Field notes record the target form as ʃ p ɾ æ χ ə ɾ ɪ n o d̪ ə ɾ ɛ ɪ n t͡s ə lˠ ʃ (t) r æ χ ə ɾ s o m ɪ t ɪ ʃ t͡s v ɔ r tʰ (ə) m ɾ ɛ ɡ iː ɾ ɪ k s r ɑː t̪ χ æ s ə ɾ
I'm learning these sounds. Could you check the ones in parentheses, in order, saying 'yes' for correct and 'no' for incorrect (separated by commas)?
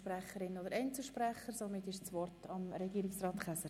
no, no